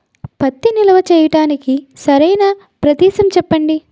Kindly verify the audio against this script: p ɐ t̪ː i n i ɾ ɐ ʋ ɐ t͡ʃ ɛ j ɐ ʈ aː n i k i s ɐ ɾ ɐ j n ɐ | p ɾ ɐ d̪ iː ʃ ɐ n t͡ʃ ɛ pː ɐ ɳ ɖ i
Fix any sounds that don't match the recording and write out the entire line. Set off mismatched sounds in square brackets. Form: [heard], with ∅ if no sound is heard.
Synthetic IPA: p ɐ t̪ː i n i [l] ɐ ʋ ɐ t͡ʃ [ɛː] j ɐ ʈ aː n i k i s ɐ ɾ ɐ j n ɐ | p ɾ ɐ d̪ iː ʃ ɐ [m] t͡ʃ ɛ pː ɐ ɳ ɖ i